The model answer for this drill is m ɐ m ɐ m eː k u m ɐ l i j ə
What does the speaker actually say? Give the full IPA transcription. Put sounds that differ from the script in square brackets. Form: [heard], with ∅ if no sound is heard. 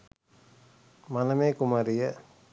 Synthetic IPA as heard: m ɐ [n] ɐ m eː k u m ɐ [ɾ] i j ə